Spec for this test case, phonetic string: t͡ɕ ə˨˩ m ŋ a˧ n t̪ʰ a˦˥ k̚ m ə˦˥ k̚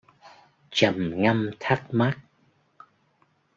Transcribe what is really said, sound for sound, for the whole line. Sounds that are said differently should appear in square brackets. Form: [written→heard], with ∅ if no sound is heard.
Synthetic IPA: t͡ɕ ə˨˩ m ŋ a˧ [n→m] t̪ʰ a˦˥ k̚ m [ə˦˥→a˦˥] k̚

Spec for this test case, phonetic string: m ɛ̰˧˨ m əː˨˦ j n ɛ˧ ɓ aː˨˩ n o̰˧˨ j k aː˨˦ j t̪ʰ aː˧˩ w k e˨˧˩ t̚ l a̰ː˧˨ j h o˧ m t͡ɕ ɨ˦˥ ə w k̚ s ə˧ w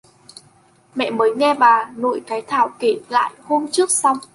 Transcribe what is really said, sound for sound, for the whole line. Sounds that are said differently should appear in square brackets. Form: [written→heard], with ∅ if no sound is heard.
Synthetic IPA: m ɛ̰˧˨ m əː˨˦ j [n→ŋ] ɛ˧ ɓ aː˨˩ n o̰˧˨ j k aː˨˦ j t̪ʰ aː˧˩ w k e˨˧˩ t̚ l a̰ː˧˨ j h o˧ m t͡ɕ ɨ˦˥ ə [w→∅] k̚ s [ə˧→a˧] w

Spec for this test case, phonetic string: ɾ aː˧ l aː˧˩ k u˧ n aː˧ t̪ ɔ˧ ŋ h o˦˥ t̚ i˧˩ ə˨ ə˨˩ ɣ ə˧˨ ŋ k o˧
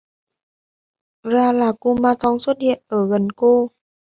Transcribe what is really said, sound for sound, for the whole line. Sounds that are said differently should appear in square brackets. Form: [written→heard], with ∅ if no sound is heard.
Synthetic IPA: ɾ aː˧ l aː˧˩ k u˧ [n→m] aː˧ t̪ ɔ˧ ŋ [h→s] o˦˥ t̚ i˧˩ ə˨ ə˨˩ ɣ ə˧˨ [ŋ→n] k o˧

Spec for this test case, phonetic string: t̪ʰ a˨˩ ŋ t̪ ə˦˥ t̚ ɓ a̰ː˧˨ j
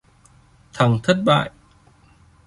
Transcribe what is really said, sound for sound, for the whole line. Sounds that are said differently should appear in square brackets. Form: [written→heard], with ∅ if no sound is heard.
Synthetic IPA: t̪ʰ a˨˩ ŋ [t̪→t̪ʰ] ə˦˥ t̚ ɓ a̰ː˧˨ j

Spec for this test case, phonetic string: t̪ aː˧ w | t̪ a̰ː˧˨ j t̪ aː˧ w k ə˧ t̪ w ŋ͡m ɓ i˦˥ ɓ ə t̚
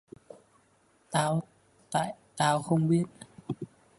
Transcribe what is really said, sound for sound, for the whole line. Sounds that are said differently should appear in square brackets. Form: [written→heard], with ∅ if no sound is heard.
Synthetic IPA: t̪ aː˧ w | t̪ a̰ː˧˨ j t̪ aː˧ w [k→x] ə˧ [t̪→∅] w ŋ͡m ɓ i˦˥ [ɓ→∅] ə t̚

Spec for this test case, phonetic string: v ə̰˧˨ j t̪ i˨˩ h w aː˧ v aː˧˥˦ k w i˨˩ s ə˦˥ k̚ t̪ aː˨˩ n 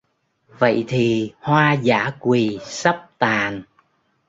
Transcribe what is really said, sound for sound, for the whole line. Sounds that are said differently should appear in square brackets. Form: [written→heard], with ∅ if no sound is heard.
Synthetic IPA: v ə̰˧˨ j [t̪→t̪ʰ] i˨˩ h w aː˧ [v→z] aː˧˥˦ k w i˨˩ s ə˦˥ [k̚→p̚] t̪ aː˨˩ n

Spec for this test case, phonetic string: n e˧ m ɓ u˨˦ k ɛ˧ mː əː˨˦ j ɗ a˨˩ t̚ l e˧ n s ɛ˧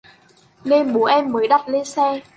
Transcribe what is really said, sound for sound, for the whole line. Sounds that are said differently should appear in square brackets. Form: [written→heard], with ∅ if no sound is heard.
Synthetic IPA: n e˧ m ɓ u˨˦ [k→ʔ] ɛ˧ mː əː˨˦ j ɗ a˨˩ t̚ l e˧ n s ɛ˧

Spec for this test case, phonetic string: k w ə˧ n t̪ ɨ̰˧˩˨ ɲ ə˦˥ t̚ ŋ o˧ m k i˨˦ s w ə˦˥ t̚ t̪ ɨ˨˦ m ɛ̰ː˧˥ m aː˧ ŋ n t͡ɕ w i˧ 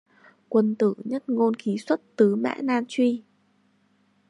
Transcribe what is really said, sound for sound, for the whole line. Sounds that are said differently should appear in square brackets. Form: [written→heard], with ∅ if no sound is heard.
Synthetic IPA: k w ə˧ n t̪ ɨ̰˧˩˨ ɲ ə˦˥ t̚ ŋ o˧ [m→n] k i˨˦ s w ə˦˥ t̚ t̪ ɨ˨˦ m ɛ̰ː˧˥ [m→n] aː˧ [ŋ→∅] n t͡ɕ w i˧

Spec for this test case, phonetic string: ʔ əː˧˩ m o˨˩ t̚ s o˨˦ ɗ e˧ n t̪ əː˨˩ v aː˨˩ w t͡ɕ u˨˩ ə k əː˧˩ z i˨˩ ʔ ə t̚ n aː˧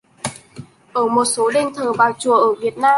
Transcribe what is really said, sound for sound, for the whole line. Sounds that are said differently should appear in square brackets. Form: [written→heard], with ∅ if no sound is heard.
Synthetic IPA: ʔ əː˧˩ m o˨˩ t̚ s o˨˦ ɗ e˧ n [t̪→t̪ʰ] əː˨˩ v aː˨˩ w t͡ɕ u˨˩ ə [k→ʔ] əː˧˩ [z→v] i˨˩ [ʔ→∅] ə t̚ n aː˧

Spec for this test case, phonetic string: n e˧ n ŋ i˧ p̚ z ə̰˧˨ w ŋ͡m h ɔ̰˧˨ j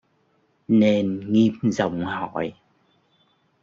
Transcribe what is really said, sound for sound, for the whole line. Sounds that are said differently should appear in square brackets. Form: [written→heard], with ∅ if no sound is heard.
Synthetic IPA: n e˧ n ŋ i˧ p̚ z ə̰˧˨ w ŋ͡m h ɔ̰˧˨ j

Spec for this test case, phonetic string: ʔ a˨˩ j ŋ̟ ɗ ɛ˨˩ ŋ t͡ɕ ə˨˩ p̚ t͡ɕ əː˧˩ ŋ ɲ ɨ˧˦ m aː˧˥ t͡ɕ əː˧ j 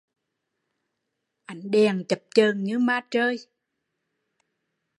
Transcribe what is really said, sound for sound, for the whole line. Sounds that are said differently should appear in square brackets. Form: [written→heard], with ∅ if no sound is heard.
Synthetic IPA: ʔ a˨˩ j ŋ̟ ɗ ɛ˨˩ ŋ t͡ɕ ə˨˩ p̚ t͡ɕ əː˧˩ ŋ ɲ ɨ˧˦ m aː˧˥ t͡ɕ əː˧ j

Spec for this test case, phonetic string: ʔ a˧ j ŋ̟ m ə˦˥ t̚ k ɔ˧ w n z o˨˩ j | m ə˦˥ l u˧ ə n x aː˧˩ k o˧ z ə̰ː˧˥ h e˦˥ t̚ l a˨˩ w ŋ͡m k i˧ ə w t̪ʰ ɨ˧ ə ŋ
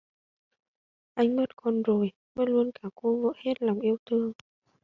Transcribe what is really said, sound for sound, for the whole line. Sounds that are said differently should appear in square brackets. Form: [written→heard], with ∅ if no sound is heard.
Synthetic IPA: ʔ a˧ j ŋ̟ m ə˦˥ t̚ k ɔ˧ [w→∅] n z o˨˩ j | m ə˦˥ l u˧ ə n [x→k] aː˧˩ k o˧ [z→v] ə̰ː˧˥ h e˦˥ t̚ l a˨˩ w ŋ͡m [k→ʔ] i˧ ə w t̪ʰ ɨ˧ ə ŋ

